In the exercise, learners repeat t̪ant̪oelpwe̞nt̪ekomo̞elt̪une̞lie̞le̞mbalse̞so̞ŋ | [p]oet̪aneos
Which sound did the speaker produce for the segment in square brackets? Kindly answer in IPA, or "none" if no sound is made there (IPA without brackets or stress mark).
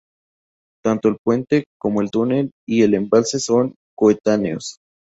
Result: k